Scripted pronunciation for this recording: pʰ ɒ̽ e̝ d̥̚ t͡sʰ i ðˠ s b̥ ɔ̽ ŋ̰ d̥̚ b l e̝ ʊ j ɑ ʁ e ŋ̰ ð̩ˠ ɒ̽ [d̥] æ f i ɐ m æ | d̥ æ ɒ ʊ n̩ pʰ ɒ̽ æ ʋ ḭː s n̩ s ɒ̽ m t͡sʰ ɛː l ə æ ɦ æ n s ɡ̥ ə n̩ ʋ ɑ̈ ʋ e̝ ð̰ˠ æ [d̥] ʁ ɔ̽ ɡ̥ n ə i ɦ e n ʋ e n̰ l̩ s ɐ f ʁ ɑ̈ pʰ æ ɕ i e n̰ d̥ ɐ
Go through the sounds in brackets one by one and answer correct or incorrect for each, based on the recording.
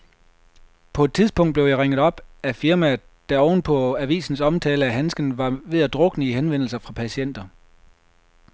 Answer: incorrect, correct

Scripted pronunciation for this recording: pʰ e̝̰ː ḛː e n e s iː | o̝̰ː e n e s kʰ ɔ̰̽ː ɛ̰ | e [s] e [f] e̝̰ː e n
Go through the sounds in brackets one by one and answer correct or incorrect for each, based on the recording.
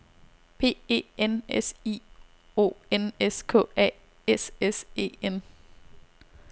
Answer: correct, incorrect

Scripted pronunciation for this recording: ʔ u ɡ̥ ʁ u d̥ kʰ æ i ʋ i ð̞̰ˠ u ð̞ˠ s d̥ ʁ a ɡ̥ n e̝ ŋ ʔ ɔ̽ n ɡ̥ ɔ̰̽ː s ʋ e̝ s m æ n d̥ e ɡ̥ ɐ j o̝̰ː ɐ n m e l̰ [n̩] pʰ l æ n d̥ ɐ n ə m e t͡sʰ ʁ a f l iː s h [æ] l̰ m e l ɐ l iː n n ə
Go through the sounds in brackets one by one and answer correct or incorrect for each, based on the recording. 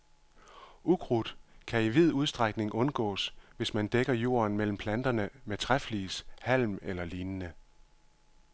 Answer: incorrect, correct

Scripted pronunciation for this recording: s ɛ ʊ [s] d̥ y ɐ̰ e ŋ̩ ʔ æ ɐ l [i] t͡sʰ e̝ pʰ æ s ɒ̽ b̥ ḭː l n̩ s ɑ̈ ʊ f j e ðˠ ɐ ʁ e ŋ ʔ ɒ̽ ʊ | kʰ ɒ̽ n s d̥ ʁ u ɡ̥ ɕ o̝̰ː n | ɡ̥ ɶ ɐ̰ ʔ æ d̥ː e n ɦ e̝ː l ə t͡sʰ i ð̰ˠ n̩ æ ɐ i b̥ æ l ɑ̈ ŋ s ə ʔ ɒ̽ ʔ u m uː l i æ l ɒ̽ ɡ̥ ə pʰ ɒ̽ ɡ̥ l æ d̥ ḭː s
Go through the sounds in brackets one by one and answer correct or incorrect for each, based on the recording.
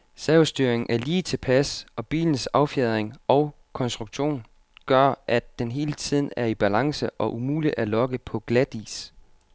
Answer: correct, incorrect

